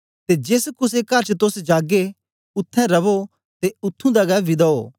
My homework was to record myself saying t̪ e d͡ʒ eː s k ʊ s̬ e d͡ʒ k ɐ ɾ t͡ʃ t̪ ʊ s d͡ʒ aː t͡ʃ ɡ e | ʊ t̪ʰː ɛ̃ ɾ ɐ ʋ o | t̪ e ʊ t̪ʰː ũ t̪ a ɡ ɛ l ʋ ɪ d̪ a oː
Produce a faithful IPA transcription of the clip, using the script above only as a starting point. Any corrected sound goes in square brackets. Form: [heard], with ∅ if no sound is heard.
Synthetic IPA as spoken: t̪ e d͡ʒ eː s k ʊ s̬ e [∅] k ɐ ɾ t͡ʃ t̪ ʊ s d͡ʒ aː [∅] ɡ e | ʊ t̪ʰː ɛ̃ ɾ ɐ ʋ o | t̪ e ʊ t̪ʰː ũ [d̪] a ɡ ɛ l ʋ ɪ d̪ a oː

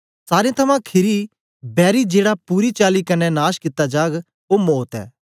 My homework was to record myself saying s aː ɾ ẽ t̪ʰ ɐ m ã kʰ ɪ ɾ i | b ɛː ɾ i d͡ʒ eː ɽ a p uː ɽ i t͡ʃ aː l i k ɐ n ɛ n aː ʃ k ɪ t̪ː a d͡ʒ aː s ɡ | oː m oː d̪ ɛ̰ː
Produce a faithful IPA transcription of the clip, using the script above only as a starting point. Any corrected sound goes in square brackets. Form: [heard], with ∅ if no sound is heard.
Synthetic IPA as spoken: s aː ɾ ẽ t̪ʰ ɐ m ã kʰ ɪ ɾ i | b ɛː ɾ i d͡ʒ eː ɽ a p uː [ɾ] i t͡ʃ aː l i k ɐ n ɛ n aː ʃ k ɪ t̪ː a d͡ʒ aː [∅] ɡ | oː m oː [t̪] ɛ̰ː

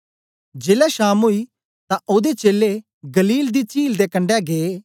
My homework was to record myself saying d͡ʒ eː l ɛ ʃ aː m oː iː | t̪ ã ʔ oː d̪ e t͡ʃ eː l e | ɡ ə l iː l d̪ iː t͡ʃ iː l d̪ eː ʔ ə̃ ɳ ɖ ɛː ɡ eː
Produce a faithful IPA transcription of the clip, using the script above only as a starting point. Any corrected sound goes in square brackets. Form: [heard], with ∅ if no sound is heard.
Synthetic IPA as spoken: d͡ʒ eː l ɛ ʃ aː m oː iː | t̪ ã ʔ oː d̪ e t͡ʃ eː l e | ɡ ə l iː l d̪ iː t͡ʃ iː l d̪ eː [k] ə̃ ɳ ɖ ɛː ɡ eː

